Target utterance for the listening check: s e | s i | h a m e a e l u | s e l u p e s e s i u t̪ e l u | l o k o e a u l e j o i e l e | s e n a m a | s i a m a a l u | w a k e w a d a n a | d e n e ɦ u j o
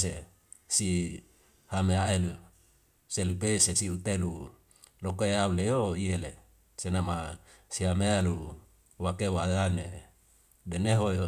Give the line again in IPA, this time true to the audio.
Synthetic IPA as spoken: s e | s i | h a m e a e l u | s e l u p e s e s i u t̪ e l u | l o k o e a u l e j o i e l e | s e n a m a | s i a m e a l u | w a k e w a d a n e | d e n e ɦ o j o

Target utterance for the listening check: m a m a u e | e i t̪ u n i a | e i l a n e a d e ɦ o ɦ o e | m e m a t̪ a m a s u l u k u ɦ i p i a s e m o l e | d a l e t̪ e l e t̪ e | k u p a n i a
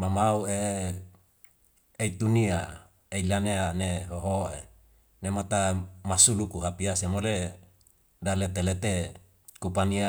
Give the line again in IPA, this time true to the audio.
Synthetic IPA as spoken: m a m a u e | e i t̪ u n i a | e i l a n e a n e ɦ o ɦ o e | n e m a t̪ a m a s u l u k u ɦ a p i a s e m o l e | d a l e t̪ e l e t̪ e | k u p a n i a

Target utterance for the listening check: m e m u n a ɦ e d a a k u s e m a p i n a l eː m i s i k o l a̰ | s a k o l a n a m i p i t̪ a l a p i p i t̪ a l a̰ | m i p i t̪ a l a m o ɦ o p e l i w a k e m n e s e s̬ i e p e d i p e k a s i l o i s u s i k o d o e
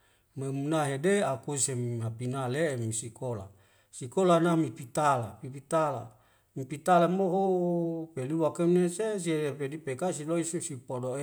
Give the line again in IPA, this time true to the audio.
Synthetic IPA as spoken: m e m u n a ɦ e d e a k u s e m a p i n a l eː m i s i k o l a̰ | s i k o l a n a m i p i t̪ a l a p i p i t̪ a l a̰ | m i p i t̪ a l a m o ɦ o p e l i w a k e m n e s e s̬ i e p e d i p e k a s i l o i s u s i p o d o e

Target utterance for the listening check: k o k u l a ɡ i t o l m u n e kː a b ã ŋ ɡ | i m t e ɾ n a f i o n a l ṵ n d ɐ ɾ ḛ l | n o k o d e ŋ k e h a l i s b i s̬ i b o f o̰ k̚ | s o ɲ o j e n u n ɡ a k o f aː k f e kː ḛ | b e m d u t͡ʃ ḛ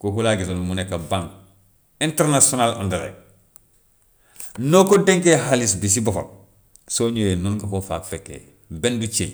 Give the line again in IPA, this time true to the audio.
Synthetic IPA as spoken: k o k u l a ɡ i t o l m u n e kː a b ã ŋ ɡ | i n t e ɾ n a s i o n a l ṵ n d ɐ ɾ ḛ | n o k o d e ŋ k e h a l i s b i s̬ i b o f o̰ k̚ | s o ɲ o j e n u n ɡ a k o f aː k f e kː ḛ | b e n d u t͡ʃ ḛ

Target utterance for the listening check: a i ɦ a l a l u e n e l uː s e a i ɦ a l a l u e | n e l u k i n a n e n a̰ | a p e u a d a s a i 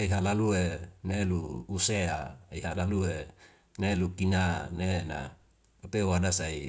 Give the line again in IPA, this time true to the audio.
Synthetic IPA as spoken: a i ɦ a l a l u e n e l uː s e a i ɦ a l a l u e | n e l u k i n a n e n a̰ | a p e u a d a s a i

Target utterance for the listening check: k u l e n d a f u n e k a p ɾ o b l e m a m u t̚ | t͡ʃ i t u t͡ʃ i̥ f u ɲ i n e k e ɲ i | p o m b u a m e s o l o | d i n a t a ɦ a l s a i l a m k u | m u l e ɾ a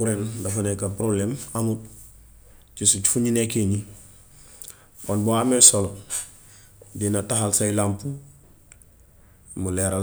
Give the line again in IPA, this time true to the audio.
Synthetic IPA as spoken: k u ɾ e n d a f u n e k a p ɾ o b l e m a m u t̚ | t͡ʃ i s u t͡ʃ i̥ f u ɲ i n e k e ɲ i | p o n b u a m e s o l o | d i n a t a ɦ a l s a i l a m p u | m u l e ɾ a

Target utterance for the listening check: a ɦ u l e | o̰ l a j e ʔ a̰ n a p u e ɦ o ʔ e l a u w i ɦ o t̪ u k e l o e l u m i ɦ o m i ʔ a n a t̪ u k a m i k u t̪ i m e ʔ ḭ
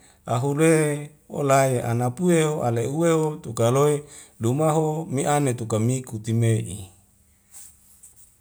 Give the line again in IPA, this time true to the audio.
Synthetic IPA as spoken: a ɦ u l e | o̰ l a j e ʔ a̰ n a p u e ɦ o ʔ a l e u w e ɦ o t̪ u k a l o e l u m a ɦ o m i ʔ a n e t̪ u k a m i k u t̪ i m e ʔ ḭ

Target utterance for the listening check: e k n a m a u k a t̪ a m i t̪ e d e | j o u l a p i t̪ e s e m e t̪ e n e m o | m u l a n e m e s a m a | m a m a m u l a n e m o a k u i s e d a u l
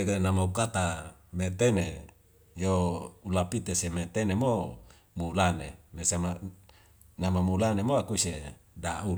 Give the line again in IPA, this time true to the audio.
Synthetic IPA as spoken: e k n a m a u k a t̪ a m e t̪ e n e | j o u l a p i t̪ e s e m e t̪ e n e m o | m u l a n e m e s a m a | n a m a m u l a n e m o a k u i s e d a u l

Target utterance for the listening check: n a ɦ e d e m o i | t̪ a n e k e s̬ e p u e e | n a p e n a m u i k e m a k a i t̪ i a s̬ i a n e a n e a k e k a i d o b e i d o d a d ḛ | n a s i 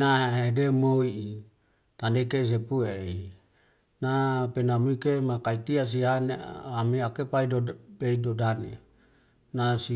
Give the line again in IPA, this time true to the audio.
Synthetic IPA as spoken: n a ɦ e d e m o i | t̪ a n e k e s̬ e p u e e | n a p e n a m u i k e m a k a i t̪ i a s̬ i a n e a m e a k e p a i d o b e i d o d a n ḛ | n a s i

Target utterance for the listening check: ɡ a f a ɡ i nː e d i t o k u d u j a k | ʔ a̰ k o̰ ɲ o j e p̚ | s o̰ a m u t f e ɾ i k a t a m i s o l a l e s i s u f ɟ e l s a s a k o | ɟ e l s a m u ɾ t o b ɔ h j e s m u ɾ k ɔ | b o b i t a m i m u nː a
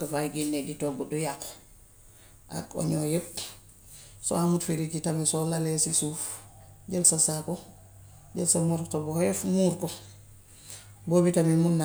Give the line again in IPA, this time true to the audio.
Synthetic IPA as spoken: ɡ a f a ɡ i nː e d i t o ɡ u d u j a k | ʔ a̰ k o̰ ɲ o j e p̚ | s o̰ a m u t f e ɾ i k i t a m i s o l a l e s i s u f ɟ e l s a s a k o | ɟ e l s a m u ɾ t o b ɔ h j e f m u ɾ k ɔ | b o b i t a m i m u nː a

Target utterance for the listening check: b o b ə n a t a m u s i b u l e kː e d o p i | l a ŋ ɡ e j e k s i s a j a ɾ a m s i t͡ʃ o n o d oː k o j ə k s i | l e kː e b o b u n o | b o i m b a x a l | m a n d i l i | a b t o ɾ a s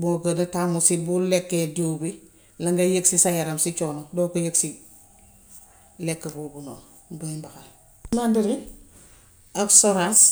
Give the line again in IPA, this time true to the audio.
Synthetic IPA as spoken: b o ɡ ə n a t a m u s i b u l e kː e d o b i | l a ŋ ɡ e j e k s i s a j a ɾ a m s i t͡ʃ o n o d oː k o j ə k s i | l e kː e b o b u n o | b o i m b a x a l | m a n d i ɾ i | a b s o ɾ a s

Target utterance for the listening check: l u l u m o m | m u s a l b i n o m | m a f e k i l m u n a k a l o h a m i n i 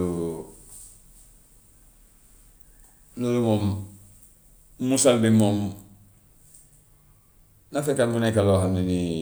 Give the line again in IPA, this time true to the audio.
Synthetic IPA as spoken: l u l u m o m | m u s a l b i m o m | n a f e k a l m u n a k a l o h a m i n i

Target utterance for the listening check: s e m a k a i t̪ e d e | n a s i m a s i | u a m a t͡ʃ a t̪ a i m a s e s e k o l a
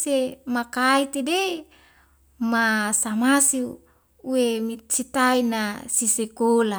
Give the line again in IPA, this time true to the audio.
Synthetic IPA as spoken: s e m a k a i t̪ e d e | m a s a m a s i | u e m i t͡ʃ i t̪ a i n a s i s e k o l a

